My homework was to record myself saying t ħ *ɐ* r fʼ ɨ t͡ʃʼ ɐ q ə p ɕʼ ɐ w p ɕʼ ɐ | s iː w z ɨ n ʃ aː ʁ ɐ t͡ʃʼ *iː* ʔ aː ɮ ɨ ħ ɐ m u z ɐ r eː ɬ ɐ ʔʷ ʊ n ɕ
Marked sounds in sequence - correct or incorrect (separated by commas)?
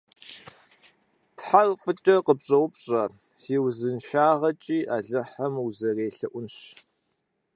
incorrect, correct